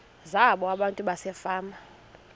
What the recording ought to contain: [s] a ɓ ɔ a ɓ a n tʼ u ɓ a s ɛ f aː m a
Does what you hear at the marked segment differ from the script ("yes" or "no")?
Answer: yes